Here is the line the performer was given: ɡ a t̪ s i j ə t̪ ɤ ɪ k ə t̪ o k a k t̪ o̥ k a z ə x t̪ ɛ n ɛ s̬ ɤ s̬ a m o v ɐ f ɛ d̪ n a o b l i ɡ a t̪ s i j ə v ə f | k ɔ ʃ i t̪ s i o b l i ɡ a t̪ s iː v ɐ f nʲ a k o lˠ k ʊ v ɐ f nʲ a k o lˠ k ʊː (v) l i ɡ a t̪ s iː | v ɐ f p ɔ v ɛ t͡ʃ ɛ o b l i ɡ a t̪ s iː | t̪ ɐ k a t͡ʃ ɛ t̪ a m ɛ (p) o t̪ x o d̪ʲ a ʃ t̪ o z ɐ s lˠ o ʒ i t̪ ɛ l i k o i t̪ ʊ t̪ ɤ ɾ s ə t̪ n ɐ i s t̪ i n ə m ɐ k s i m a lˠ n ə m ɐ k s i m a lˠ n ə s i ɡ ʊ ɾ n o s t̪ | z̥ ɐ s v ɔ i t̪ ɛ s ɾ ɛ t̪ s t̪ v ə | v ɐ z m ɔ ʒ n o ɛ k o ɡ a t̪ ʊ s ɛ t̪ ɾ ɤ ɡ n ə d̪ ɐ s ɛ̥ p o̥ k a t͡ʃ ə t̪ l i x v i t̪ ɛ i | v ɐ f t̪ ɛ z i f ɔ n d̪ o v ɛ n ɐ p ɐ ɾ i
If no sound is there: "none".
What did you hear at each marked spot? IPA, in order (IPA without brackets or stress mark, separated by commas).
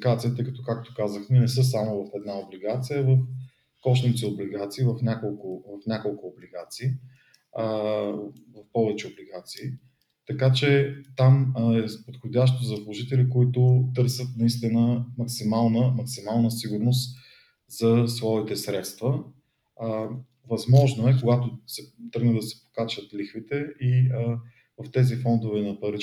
b, p